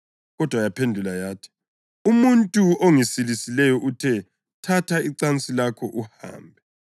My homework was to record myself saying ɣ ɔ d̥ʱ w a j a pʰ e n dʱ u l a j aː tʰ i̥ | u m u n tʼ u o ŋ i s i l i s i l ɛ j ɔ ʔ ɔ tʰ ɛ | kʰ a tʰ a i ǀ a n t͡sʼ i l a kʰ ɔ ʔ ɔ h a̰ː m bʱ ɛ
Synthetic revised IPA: ɣ ɔ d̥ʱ w a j a pʰ e n dʱ u l a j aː tʰ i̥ | u m u n tʼ u o ŋ i s i l i s i l ɛ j ɔ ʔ u tʰ ɛ | tʰ a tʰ a i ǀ a n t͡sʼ i l a kʰ ɔ ʔ u h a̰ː m bʱ ɛ

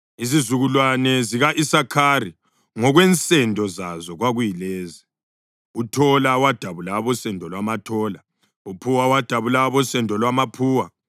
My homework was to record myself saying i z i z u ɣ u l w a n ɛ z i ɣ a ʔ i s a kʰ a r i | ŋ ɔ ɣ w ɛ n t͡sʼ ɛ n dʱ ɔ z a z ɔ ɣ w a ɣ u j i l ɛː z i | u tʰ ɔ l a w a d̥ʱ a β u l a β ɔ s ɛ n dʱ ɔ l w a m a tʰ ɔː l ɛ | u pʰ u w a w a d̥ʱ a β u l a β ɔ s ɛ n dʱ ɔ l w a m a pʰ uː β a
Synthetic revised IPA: i z i z u ɣ u l w a n ɛ z i ɣ a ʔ i s a kʰ a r i | ŋ ɔ ɣ w ɛ n t͡sʼ ɛ n dʱ ɔ z a z ɔ ɣ w a ɣ u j i l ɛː z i | u tʰ ɔ l a w a d̥ʱ a β u l a β ɔ s ɛ n dʱ ɔ l w a m a tʰ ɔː l a | u pʰ u w a w a d̥ʱ a β u l a β ɔ s ɛ n dʱ ɔ l w a m a pʰ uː w a

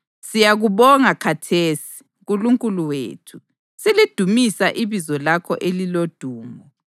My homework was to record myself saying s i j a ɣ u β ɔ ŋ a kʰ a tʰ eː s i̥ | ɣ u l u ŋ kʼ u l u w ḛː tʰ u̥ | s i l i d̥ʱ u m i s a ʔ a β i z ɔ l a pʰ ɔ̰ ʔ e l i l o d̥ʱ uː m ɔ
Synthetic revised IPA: s i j a ɣ u β ɔ ŋ a kʰ a tʰ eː s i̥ | ɣ u l u ŋ kʼ u l u w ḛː tʰ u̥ | s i l i d̥ʱ u m i s a ʔ i β i z ɔ l a kʰ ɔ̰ ʔ e l i l o d̥ʱ uː m ɔ

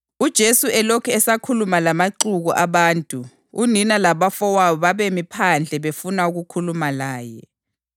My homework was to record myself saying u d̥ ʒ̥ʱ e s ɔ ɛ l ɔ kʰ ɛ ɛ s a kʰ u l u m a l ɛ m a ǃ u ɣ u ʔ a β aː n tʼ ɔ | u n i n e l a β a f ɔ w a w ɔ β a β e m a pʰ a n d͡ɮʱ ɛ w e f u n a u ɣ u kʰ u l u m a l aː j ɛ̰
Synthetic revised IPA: u d̥ ʒ̥ʱ e s u ɛ l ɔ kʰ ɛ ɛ s a kʰ u l u m a l a m a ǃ u ɣ u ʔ a β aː n tʼ u | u n i n a l a β a f ɔ w a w ɔ β a β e m i pʰ a n d͡ɮʱ ɛ β e f u n a u ɣ u kʰ u l u m a l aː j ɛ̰

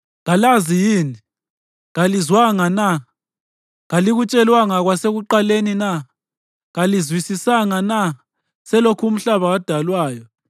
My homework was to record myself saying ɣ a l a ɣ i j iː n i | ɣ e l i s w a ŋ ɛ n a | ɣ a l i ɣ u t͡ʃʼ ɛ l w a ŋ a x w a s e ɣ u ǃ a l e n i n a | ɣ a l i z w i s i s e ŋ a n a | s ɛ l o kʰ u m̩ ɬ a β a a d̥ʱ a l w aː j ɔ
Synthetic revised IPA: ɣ a l a z i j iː n i | ɣ a l i z w a ŋ a n a | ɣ a l i ɣ u t͡ʃʼ ɛ l w a ŋ a ɣ w a s e ɣ u ǃ a l e n i n a | ɣ a l i z w i s i s a ŋ a n a | s ɛ l o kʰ u m̩ ɬ a β a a d̥ʱ a l w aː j ɔ

